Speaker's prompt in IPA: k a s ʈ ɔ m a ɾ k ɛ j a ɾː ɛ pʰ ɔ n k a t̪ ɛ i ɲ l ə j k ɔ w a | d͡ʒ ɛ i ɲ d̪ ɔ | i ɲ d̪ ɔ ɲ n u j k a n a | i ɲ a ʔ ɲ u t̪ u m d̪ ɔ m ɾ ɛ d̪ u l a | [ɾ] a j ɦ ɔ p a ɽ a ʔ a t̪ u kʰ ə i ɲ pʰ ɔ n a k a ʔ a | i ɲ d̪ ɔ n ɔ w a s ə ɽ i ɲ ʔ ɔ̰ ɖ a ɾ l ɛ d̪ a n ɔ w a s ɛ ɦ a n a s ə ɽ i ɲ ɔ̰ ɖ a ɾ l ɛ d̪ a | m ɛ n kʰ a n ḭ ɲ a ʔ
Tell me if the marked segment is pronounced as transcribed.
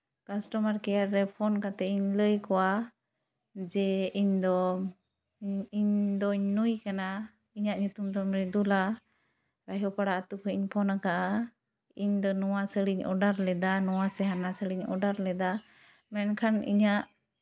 yes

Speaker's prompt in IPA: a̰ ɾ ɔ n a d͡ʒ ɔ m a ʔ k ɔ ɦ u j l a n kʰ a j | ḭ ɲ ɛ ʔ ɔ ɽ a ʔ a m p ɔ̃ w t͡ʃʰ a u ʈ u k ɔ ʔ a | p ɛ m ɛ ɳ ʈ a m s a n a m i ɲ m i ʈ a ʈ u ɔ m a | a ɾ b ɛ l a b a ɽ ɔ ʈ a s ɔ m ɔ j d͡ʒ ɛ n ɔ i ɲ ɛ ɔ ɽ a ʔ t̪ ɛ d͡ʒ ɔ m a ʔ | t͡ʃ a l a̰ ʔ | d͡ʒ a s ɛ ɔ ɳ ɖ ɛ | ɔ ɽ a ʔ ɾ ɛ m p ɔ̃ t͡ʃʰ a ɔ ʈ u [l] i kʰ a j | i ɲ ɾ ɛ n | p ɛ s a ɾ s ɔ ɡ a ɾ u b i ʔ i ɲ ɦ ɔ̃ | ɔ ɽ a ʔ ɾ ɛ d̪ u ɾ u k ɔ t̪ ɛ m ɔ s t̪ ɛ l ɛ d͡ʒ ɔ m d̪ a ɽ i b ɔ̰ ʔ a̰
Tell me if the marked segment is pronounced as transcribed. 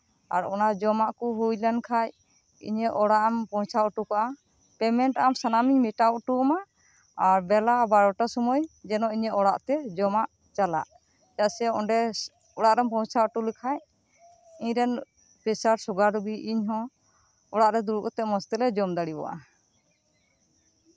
yes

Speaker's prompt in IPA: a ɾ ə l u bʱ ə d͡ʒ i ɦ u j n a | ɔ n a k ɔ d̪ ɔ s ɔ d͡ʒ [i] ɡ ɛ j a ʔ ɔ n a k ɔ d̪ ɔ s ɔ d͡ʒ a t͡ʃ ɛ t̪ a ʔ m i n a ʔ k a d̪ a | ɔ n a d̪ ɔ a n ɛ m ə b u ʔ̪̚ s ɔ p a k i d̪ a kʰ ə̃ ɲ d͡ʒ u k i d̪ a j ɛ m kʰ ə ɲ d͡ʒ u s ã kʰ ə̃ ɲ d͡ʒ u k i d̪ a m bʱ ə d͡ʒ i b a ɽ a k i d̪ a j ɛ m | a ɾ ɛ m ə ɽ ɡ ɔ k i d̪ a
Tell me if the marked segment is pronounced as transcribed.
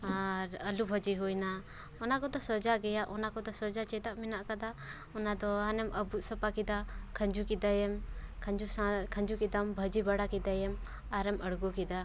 no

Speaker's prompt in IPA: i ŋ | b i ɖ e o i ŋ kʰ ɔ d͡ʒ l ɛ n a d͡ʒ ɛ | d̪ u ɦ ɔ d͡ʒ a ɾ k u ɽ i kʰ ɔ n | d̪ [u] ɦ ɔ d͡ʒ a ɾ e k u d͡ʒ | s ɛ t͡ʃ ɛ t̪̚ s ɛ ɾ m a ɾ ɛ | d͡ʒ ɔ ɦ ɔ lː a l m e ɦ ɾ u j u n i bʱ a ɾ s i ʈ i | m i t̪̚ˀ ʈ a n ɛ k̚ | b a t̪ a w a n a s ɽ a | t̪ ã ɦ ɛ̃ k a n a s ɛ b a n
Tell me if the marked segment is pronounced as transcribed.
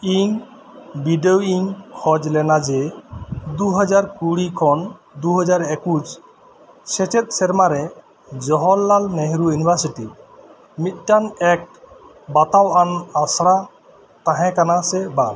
yes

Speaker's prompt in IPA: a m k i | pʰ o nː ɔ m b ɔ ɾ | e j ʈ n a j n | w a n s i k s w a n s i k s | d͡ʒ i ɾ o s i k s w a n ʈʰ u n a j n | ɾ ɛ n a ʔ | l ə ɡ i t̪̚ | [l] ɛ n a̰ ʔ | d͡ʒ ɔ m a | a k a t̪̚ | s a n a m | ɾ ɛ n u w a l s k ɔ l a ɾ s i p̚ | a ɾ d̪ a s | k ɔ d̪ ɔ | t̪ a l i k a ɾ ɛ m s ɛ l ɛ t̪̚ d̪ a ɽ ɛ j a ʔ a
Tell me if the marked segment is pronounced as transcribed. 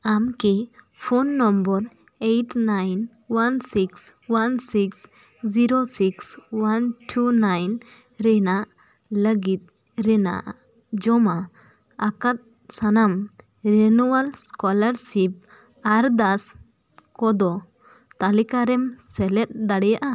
no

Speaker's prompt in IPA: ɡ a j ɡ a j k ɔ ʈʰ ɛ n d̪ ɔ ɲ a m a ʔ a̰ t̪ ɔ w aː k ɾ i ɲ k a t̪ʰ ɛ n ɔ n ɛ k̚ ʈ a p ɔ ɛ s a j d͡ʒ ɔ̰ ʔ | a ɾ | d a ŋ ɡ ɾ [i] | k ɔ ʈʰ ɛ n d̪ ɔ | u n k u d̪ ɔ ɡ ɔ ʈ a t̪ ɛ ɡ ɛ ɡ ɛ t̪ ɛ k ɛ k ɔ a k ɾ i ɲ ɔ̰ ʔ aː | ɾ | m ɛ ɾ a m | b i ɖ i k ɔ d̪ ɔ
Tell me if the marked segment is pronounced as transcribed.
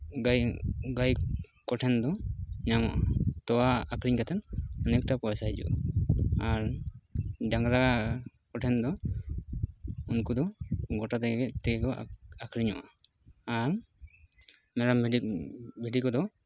no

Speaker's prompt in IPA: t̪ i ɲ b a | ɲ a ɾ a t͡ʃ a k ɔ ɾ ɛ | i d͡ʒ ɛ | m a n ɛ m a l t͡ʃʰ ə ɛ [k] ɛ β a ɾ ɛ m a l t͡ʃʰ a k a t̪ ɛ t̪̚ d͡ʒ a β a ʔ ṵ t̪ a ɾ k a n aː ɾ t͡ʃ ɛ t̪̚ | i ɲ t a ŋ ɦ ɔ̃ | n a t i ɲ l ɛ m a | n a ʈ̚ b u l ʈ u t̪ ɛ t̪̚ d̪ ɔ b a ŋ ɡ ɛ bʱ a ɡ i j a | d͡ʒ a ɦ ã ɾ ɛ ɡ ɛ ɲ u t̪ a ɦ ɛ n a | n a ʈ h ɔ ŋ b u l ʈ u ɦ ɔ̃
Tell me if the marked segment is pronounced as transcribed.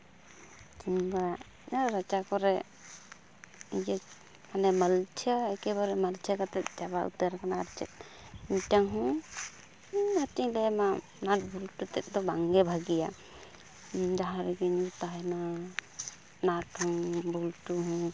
yes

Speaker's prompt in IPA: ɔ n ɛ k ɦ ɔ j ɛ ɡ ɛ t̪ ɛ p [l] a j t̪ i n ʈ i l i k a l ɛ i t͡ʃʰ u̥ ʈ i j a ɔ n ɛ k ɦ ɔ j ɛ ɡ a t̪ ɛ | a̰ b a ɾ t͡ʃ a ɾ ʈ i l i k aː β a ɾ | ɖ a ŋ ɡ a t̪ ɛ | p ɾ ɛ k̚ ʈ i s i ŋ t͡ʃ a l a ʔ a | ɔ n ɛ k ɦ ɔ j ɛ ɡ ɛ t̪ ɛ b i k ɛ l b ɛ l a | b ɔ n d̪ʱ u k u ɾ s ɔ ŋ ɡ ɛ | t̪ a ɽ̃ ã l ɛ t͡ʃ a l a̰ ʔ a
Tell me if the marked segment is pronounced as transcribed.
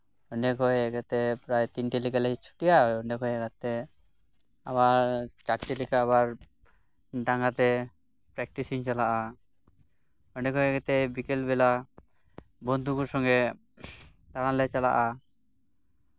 no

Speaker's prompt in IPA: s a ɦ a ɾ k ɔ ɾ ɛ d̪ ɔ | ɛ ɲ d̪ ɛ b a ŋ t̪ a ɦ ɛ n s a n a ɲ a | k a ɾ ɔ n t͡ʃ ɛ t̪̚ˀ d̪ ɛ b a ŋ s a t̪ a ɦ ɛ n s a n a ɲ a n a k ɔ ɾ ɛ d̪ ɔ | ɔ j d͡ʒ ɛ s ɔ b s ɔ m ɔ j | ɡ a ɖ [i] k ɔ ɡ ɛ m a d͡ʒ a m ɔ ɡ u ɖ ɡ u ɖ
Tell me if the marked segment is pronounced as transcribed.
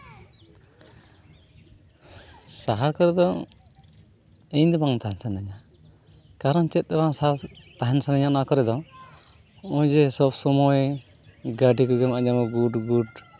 yes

